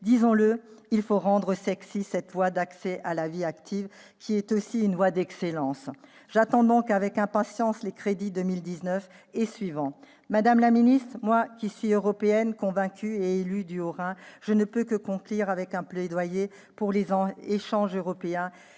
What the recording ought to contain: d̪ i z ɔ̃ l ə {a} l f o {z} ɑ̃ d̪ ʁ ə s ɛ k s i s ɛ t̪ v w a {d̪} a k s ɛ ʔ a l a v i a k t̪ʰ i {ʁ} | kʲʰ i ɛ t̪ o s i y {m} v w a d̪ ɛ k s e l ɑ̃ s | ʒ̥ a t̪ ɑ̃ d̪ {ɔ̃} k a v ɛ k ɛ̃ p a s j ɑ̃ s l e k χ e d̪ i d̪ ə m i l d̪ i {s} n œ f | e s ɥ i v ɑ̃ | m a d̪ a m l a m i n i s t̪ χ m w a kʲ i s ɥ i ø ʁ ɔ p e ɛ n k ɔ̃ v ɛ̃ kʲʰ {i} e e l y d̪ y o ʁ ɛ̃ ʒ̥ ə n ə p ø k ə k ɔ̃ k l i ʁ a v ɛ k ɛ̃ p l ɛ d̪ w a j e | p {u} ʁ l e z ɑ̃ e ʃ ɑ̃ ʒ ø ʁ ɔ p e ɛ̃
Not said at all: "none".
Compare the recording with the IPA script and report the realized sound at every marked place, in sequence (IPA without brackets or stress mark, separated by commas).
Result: i, ʁ, d̪, v, n, ɔ̃, z, y, u